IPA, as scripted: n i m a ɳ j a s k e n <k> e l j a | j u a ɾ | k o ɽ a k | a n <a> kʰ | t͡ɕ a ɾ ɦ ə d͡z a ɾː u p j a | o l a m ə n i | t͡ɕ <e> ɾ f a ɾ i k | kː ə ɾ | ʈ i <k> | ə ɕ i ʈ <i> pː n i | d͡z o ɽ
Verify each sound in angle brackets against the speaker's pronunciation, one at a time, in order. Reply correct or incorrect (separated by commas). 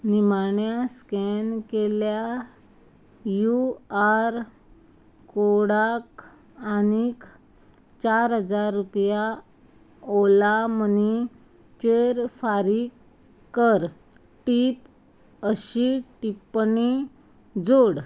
correct, incorrect, correct, incorrect, correct